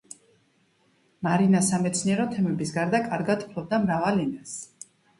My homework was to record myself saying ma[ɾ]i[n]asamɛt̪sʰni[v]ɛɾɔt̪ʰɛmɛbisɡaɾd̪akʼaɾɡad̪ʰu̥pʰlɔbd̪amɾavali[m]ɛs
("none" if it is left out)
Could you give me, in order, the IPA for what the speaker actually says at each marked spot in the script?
ɾ, n, none, n

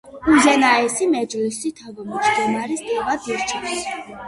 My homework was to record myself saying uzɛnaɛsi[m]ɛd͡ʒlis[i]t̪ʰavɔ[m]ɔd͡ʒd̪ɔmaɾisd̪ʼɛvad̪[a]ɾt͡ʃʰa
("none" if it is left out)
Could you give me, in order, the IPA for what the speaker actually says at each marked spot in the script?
m, i, m, i

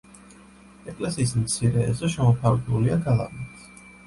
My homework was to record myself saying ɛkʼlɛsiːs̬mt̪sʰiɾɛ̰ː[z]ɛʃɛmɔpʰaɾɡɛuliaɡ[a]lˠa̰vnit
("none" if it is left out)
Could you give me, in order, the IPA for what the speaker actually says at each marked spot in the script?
z, a

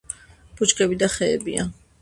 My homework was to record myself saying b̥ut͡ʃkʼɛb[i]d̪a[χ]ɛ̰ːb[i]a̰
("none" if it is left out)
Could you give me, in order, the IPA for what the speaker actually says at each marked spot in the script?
i, χ, i

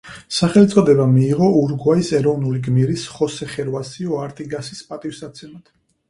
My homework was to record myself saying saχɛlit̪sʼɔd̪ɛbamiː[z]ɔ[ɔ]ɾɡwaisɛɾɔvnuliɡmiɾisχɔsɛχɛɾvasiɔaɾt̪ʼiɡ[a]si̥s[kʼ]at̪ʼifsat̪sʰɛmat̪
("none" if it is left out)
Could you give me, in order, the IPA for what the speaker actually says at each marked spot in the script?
ʁ, u, a, pʼ

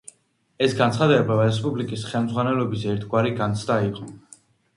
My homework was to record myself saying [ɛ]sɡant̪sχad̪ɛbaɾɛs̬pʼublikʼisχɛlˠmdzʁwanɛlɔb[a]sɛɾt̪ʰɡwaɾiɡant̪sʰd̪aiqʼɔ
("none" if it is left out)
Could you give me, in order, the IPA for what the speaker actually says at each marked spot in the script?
ɛ, i

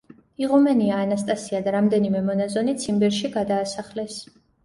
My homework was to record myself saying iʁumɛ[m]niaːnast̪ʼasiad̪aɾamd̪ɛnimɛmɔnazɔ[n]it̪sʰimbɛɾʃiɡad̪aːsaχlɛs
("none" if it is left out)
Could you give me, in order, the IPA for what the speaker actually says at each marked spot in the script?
none, n

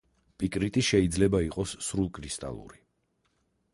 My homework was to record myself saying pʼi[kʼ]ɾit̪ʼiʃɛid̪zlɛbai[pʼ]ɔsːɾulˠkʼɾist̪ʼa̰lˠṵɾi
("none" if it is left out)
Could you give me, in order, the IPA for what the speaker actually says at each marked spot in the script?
kʼ, qʼ

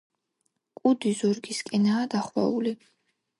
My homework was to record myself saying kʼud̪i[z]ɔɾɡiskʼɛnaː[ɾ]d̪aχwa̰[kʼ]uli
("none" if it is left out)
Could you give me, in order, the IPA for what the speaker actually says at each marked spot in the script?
z, none, none

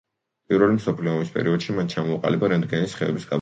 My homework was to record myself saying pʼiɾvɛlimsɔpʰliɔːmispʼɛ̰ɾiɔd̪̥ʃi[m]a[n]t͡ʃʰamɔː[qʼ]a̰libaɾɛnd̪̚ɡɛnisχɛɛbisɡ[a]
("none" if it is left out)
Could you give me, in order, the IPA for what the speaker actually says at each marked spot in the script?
m, n, qʼ, a

